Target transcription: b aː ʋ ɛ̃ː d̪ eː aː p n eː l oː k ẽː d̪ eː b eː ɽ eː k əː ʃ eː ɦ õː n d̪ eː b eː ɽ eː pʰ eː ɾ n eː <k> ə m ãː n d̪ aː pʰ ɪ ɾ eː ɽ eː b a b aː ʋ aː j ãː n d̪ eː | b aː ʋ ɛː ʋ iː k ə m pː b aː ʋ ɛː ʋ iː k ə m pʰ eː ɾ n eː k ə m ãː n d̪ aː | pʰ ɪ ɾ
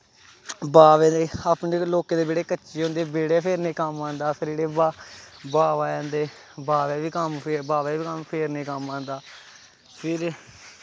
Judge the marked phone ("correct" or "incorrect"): correct